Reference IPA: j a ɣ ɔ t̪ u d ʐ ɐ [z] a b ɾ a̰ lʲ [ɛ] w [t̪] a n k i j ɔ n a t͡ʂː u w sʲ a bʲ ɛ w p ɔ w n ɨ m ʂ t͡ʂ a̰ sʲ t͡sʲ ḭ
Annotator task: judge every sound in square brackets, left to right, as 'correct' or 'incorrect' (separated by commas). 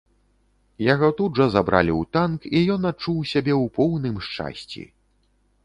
correct, incorrect, correct